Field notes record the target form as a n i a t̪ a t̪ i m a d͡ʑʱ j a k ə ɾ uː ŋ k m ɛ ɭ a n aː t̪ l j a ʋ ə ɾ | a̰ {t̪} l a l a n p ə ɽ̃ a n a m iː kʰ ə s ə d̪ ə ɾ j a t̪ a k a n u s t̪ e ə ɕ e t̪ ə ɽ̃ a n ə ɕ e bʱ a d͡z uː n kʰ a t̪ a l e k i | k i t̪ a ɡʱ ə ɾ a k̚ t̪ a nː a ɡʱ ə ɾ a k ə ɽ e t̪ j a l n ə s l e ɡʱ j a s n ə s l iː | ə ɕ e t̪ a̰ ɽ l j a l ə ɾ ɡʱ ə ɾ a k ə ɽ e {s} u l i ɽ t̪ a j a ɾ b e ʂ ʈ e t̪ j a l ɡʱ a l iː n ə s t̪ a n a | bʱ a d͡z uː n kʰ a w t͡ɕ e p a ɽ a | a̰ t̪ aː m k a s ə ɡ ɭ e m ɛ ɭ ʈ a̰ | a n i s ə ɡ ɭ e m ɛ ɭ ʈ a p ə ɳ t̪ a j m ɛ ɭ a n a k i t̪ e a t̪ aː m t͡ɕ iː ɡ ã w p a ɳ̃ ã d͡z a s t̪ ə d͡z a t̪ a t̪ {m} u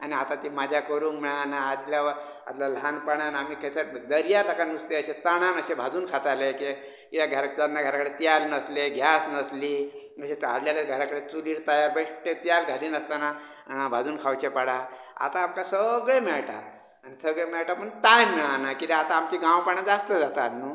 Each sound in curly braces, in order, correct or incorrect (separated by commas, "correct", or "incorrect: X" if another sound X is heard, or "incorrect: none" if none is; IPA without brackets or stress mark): correct, incorrect: t͡s, incorrect: n